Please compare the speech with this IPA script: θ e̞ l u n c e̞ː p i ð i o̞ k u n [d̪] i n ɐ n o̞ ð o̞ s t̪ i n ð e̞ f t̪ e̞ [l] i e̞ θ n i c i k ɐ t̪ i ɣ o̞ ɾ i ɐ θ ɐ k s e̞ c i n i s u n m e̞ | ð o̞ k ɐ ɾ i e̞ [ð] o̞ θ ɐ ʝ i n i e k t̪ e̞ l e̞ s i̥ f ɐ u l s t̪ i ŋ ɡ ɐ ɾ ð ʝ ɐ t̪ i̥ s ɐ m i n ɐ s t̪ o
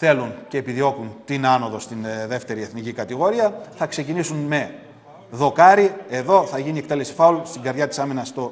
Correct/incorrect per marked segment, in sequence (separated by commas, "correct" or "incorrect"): incorrect, incorrect, correct